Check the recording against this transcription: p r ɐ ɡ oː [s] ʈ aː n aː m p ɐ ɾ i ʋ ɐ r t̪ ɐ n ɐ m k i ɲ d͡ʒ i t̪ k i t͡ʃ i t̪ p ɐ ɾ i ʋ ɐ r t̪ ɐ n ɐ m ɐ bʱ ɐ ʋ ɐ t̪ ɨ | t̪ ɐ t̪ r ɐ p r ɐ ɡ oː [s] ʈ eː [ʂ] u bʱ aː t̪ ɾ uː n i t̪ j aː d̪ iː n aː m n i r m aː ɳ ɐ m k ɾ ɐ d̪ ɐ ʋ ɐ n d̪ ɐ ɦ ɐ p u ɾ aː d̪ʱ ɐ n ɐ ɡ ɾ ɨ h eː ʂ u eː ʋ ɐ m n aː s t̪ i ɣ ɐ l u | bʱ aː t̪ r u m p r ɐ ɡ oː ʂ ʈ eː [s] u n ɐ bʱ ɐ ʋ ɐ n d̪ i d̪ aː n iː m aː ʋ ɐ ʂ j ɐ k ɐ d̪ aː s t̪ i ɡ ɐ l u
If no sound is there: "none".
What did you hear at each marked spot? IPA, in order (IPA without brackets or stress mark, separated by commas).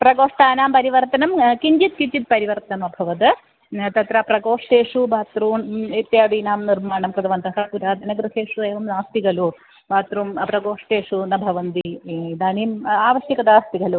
ʂ, ʂ, ʂ, ʂ